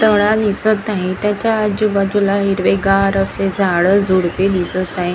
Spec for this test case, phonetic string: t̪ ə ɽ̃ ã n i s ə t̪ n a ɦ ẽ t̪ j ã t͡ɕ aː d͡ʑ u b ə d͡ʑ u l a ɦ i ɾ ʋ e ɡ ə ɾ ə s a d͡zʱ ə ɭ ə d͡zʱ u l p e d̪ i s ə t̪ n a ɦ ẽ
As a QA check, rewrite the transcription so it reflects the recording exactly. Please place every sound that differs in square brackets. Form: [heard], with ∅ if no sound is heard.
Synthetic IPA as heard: t̪ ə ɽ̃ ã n i s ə t̪ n a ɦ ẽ t̪ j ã t͡ɕ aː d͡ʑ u b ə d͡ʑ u l a ɦ i ɾ ʋ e ɡ [a] ɾ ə s [e] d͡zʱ [a] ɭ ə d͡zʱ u [ɽ] p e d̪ i s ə t̪ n a ɦ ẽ